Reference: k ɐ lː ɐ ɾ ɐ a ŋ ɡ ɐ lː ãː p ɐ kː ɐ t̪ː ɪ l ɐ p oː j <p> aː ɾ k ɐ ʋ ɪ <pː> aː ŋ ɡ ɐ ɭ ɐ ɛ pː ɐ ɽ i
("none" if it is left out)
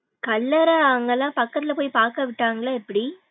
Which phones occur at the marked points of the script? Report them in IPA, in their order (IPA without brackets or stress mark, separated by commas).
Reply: p, ʈː